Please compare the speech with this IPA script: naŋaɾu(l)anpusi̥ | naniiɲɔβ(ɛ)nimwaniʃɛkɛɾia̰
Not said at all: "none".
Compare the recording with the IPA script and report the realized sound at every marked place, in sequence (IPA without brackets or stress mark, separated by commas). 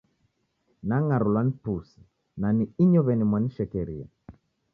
l, ɛ